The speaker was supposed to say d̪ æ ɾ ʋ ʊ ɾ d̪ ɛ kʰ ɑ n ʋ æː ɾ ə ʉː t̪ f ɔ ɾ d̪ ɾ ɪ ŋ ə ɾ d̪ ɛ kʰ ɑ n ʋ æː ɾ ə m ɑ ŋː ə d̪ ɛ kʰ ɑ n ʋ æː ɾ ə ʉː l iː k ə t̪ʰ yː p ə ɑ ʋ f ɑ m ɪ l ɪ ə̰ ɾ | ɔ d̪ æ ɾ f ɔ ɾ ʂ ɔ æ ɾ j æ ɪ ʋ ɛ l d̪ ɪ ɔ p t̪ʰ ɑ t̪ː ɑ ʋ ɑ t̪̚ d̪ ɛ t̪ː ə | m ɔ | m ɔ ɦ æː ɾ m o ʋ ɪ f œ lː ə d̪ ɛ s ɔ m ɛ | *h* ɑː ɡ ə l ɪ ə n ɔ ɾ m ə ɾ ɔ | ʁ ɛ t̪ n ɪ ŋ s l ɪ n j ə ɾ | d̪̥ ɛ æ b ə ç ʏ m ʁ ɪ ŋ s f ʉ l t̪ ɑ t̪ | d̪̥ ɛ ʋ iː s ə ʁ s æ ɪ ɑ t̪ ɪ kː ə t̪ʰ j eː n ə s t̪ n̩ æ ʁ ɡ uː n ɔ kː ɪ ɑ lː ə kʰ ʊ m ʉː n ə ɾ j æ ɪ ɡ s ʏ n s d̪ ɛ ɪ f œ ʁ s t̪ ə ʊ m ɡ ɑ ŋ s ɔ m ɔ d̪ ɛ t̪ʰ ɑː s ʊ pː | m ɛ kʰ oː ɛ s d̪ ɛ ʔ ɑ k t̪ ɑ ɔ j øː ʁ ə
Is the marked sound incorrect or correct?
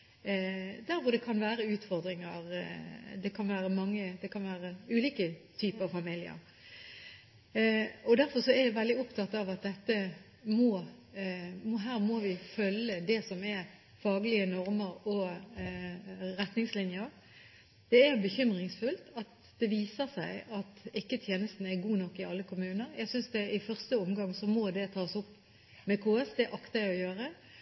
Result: incorrect: f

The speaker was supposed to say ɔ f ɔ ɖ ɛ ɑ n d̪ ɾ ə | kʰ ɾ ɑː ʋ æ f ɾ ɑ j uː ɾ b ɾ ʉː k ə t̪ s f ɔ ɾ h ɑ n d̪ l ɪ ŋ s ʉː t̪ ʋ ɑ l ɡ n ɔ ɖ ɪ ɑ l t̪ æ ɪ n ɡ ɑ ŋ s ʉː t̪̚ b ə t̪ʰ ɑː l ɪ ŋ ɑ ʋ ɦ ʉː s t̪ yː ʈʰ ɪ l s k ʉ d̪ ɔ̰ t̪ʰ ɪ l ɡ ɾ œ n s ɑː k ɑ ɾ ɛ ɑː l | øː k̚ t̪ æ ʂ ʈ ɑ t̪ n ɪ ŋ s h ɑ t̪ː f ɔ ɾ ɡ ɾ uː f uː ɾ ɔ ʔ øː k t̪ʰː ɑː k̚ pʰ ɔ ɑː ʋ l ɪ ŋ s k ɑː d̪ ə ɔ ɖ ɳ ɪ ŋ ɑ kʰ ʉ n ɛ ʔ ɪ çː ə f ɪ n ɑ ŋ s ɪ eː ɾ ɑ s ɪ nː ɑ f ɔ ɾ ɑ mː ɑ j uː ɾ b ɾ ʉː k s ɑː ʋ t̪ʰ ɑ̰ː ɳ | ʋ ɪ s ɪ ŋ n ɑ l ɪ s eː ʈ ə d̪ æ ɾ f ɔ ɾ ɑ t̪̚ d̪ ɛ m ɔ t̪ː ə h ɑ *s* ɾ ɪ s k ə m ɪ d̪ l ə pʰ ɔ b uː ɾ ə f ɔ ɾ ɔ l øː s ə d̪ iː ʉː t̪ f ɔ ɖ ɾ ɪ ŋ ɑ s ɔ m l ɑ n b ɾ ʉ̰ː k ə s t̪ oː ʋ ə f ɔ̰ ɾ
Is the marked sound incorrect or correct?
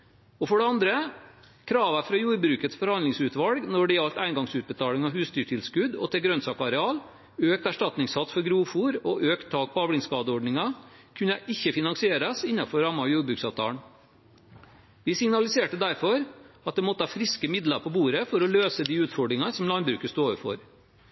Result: incorrect: f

